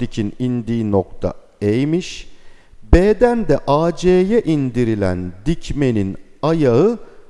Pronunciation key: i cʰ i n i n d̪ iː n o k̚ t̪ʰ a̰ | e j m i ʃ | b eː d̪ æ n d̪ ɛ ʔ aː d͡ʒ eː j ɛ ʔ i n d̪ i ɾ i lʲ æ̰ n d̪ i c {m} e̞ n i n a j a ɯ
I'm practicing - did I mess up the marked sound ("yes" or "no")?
no